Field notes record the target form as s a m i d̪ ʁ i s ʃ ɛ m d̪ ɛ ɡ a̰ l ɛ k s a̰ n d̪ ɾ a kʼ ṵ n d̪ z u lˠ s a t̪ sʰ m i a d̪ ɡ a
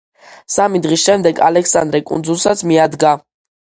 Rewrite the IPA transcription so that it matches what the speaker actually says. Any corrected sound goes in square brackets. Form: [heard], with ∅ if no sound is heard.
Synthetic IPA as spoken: s a m i d̪ ʁ i s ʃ ɛ m d̪ ɛ ɡ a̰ l ɛ k s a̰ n d̪ ɾ [ɛ] kʼ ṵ n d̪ z u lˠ s a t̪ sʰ m i a d̪ ɡ a